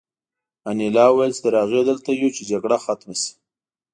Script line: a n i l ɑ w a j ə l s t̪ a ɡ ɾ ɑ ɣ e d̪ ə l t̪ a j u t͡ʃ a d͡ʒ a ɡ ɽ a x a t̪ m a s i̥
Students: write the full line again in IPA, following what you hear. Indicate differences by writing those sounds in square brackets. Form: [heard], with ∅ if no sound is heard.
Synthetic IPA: a n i l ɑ w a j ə l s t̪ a [∅] ɾ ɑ ɣ e d̪ ə l t̪ a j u t͡ʃ [e] d͡ʒ a ɡ ɽ a x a t̪ m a s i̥

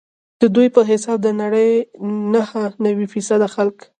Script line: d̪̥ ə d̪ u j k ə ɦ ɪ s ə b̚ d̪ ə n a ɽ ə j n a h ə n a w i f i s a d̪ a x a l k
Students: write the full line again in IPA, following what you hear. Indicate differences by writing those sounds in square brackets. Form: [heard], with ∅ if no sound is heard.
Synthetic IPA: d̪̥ ə d̪ u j [p] ə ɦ ɪ s [ɑ] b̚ d̪ ə n a ɽ ə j n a h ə n a w i f i s a d̪ a x a l k

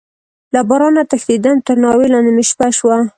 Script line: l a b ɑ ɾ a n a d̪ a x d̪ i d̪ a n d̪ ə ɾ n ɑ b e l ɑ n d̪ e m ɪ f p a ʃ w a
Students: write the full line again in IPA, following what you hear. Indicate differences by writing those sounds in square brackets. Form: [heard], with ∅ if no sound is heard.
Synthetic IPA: l a b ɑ ɾ [ɑ] n a [t̪] a x d̪ i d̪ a n [t̪] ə ɾ n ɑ [w] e l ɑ n d̪ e m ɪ [ʃ] p a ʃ w a

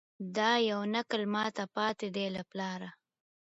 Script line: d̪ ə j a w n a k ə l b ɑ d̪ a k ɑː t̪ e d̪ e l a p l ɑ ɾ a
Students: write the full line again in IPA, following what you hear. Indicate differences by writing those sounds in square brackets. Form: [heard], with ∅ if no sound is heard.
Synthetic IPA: d̪ [ɑ] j a w n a k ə l [m] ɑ [t̪] a [p] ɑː t̪ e d̪ e l a p l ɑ ɾ a

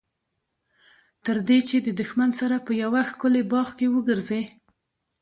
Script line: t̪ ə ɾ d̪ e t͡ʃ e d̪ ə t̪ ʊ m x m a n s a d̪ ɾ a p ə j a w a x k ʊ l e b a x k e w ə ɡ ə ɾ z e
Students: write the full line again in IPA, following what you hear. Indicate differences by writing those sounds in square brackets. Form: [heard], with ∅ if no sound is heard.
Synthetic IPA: t̪ ə ɾ d̪ e t͡ʃ e d̪ ə [d̪] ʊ [∅] x m a n s a [∅] ɾ a p ə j a w a x k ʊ l e b [ɑ] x k e w ə ɡ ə ɾ z e

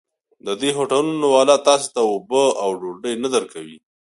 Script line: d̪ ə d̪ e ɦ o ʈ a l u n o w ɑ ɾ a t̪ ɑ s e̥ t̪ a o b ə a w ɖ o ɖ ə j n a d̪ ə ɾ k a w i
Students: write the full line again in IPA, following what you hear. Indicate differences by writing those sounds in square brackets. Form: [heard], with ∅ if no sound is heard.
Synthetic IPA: d̪ ə d̪ e ɦ o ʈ a l u n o w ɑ [l] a t̪ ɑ s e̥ t̪ a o b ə a w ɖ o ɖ ə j n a d̪ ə ɾ k a w i

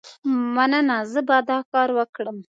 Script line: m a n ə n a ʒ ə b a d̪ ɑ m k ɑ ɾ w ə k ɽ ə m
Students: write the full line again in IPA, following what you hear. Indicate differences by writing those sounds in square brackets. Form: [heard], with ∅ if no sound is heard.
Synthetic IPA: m a n ə n a [z] ə b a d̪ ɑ [∅] k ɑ ɾ w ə k ɽ ə m

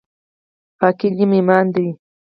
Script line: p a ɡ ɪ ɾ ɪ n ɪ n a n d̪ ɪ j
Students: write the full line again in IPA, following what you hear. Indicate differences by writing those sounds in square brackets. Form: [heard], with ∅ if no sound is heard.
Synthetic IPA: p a [k] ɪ [ʎ] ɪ [m] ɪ [m] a n d̪ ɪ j

